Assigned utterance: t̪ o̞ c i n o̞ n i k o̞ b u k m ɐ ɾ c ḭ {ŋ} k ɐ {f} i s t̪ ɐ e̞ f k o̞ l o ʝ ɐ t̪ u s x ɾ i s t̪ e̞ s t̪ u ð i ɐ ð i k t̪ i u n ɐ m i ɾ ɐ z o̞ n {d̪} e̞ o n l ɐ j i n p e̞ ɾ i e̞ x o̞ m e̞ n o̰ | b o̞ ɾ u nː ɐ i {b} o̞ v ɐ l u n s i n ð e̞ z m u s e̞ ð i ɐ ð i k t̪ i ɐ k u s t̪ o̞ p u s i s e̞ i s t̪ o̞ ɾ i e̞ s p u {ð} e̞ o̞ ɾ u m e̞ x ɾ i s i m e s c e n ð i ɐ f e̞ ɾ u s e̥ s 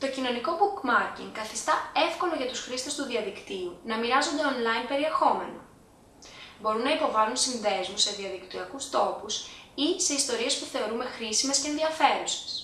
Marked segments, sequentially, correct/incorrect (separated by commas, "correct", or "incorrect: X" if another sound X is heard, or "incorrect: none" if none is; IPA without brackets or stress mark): correct, incorrect: θ, correct, incorrect: p, incorrect: θ